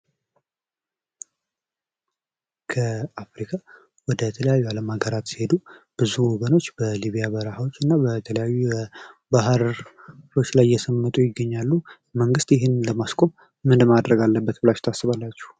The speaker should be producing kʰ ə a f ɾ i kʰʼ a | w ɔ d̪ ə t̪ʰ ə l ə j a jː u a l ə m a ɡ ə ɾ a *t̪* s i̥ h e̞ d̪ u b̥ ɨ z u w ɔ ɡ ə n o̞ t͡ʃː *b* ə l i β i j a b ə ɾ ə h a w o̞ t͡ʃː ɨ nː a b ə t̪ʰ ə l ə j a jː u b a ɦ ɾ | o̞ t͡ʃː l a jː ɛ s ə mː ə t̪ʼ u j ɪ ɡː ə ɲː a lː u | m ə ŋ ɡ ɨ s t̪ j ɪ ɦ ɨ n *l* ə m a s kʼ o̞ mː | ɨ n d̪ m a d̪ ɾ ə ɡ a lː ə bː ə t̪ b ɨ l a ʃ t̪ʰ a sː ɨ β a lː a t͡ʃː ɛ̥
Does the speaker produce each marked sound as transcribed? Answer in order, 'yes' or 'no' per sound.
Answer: yes, yes, yes

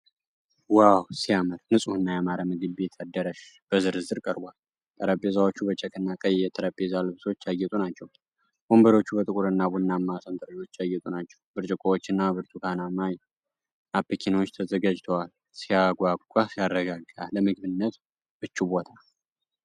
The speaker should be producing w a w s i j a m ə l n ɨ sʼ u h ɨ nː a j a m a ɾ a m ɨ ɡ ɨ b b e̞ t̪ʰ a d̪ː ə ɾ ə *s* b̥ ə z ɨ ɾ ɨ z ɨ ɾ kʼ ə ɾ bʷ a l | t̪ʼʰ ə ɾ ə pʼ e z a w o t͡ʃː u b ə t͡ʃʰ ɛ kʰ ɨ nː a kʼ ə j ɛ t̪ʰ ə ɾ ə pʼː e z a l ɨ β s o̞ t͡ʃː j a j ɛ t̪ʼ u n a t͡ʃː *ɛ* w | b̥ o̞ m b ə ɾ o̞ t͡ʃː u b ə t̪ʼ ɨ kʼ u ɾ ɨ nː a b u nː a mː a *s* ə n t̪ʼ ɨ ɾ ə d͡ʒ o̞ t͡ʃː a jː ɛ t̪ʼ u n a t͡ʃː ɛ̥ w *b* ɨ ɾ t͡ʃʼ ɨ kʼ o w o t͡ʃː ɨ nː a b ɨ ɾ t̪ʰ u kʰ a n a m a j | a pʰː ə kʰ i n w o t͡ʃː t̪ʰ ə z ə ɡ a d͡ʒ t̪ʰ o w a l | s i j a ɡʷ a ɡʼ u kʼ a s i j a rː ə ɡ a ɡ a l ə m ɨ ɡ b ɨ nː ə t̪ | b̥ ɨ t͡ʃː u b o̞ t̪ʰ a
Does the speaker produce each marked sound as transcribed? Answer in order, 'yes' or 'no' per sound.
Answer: no, yes, yes, yes

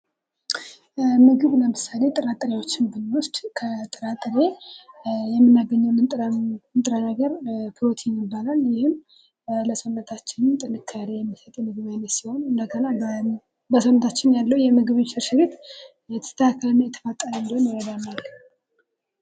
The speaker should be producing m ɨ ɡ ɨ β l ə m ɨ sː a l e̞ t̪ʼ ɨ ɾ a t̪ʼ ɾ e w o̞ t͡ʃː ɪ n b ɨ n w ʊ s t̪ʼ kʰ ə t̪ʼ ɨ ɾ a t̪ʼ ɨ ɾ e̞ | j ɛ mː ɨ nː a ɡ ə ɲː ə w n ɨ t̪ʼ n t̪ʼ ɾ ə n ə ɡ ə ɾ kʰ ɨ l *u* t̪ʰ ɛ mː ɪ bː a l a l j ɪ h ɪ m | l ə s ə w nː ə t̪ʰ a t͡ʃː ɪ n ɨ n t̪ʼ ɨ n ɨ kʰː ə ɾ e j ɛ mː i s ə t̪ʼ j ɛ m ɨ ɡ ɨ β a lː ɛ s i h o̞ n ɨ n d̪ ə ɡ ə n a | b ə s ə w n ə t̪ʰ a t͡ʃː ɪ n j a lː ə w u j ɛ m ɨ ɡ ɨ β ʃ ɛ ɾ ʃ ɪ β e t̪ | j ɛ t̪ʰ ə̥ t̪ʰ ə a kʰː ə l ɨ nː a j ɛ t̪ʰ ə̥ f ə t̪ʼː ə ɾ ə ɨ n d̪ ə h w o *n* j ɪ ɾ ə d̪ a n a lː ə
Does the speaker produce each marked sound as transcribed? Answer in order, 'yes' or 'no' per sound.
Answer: no, yes

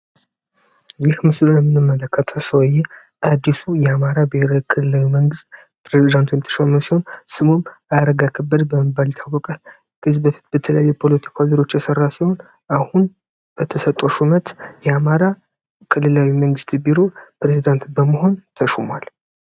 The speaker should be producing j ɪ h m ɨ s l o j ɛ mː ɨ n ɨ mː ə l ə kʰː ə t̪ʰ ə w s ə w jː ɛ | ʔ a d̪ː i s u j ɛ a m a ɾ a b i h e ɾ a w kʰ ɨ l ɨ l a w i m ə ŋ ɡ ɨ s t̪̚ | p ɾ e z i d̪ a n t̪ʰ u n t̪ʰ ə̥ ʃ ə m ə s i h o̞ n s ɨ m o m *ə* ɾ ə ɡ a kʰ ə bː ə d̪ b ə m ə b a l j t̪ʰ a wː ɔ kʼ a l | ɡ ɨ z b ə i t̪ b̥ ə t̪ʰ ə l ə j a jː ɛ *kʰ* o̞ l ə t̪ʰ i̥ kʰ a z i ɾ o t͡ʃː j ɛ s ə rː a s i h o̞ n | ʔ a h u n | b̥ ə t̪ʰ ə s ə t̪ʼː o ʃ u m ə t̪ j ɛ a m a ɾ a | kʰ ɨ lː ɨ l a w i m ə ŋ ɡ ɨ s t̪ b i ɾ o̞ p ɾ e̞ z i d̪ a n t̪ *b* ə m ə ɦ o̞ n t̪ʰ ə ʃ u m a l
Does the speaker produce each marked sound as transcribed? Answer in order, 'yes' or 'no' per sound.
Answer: no, no, yes

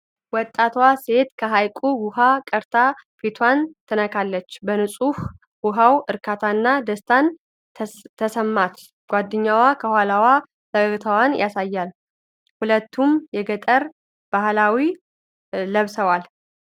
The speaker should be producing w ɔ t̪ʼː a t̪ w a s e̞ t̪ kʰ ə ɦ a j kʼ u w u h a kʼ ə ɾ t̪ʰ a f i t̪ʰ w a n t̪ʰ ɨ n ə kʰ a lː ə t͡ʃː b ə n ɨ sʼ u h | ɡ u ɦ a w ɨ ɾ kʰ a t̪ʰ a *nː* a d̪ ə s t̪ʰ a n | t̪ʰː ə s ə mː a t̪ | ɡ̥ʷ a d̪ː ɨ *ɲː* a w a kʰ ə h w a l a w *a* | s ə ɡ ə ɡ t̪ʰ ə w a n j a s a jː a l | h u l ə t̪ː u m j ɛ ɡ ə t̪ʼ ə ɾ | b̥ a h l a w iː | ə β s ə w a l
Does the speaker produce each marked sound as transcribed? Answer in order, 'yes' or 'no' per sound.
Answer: yes, yes, yes

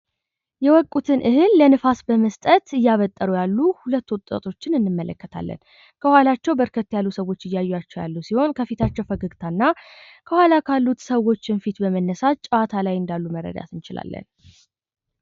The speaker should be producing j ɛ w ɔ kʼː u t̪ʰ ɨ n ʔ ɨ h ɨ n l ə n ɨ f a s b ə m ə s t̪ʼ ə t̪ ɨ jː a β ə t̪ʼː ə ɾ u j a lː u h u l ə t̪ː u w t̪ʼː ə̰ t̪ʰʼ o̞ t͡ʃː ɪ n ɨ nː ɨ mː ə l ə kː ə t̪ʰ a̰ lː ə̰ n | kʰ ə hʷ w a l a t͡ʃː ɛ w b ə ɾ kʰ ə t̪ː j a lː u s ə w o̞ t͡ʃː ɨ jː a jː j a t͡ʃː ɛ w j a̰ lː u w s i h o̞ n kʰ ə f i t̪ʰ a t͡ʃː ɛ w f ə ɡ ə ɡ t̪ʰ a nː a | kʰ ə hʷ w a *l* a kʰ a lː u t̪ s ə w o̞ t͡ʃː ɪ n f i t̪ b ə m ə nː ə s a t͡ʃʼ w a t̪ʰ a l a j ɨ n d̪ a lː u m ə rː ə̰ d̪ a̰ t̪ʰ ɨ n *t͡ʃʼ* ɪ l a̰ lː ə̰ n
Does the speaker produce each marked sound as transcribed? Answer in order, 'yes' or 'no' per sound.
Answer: yes, no

